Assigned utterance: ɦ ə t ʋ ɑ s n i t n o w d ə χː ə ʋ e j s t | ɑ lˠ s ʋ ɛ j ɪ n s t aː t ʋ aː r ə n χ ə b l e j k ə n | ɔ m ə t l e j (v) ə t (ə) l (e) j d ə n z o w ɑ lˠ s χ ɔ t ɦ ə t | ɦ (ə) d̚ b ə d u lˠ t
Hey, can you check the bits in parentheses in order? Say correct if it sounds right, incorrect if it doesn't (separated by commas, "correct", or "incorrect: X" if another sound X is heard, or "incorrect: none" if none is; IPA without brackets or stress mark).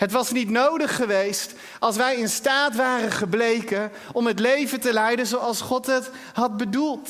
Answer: correct, correct, incorrect: ɛ, incorrect: ɑ